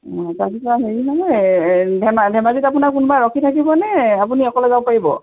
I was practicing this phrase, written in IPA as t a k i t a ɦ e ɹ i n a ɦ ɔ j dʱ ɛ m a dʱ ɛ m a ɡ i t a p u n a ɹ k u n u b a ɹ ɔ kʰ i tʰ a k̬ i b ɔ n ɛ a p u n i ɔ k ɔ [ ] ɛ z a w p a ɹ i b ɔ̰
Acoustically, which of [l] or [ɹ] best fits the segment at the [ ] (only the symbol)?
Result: l